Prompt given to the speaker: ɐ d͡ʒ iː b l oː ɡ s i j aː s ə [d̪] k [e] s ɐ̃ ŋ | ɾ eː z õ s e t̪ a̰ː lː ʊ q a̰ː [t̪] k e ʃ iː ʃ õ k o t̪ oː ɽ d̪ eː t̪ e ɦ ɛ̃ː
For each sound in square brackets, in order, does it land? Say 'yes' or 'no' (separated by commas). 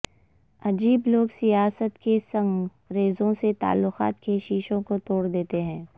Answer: no, yes, yes